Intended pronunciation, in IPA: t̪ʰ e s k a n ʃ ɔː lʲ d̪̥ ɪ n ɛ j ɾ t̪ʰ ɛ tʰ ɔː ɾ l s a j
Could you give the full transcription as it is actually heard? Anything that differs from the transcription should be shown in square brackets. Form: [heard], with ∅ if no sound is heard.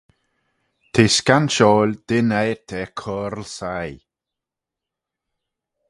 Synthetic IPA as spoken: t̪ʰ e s k a n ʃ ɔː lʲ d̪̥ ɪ n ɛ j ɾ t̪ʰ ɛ [kʰ] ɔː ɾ l s a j